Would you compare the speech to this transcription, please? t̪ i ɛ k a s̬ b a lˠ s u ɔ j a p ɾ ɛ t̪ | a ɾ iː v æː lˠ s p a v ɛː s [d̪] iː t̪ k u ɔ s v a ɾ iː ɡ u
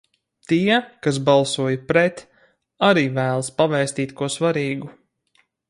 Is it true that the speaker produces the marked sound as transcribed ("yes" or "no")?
no